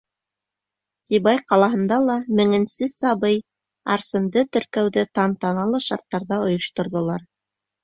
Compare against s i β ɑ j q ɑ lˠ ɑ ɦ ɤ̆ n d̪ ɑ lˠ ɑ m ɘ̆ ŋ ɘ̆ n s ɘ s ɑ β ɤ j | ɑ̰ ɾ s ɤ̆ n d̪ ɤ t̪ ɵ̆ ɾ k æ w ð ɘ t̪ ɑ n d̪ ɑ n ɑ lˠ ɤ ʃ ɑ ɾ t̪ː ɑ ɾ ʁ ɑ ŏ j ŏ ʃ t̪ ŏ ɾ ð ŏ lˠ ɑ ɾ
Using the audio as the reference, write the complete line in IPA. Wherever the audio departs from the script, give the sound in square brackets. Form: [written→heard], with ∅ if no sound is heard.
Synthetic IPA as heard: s i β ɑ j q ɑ lˠ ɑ ɦ ɤ̆ n d̪ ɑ lˠ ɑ m ɘ̆ ŋ ɘ̆ n s ɘ s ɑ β ɤ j | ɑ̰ ɾ s ɤ̆ n d̪ ɤ t̪ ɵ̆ ɾ k æ w ð ɘ t̪ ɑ n [d̪→t̪] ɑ n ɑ lˠ ɤ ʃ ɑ ɾ t̪ː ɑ ɾ [ʁ→ð] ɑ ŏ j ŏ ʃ t̪ ŏ ɾ ð ŏ lˠ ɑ ɾ